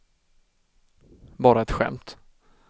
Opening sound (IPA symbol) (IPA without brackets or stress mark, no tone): b